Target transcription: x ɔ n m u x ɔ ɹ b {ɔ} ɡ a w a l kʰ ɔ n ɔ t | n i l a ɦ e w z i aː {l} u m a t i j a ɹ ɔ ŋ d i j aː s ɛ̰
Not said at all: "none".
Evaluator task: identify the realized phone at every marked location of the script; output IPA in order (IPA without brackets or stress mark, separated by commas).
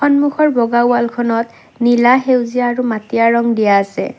ɔ, ɹ